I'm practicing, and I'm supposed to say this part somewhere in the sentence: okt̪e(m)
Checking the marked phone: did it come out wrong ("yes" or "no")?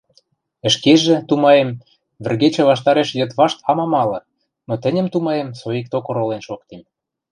no